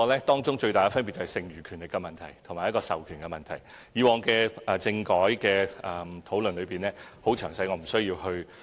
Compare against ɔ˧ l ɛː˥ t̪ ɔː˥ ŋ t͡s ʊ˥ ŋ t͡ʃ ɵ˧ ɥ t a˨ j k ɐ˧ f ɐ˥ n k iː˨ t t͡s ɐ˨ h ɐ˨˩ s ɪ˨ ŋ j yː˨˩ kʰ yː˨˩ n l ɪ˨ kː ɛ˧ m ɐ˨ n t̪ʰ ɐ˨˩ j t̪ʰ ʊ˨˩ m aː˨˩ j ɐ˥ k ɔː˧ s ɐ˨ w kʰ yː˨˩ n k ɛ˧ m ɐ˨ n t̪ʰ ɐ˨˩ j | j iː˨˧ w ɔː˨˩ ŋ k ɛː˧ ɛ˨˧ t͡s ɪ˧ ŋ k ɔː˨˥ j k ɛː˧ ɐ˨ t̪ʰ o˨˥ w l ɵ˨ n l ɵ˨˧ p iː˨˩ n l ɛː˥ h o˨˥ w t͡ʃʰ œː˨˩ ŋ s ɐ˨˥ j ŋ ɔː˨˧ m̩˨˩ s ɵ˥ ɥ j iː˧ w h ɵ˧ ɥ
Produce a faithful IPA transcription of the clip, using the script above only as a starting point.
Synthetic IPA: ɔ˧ l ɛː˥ t̪ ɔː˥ ŋ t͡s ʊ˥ ŋ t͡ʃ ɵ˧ ɥ t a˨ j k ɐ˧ f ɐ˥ n p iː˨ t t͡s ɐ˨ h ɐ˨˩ s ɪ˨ ŋ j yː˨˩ kʰ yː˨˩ n l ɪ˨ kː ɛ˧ m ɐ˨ n t̪ʰ ɐ˨˩ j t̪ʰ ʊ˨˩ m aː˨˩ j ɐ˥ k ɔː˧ s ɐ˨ w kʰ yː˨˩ n k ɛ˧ m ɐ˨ n t̪ʰ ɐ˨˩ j | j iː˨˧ w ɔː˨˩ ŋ k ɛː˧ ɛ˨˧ t͡s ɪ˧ ŋ k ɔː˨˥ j k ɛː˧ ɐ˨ t̪ʰ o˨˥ w l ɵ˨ n l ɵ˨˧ p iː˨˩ n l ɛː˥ h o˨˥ w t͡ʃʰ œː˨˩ ŋ s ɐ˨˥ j ŋ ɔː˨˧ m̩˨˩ s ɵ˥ ɥ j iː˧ w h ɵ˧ ɥ